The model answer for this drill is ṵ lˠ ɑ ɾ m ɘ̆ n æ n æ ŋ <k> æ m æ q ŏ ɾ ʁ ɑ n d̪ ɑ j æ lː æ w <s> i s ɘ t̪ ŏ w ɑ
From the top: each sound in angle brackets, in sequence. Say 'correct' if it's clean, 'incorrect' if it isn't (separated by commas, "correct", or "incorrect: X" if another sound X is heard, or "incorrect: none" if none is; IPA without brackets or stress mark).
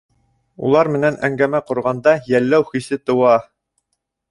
incorrect: ɡ, incorrect: χ